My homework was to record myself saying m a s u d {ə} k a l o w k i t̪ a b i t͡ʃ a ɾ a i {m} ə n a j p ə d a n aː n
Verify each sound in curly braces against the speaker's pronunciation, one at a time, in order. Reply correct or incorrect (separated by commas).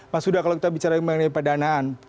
incorrect, correct